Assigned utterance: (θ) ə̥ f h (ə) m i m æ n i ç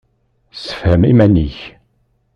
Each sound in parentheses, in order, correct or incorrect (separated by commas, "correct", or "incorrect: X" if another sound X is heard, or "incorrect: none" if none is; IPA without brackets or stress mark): incorrect: s, correct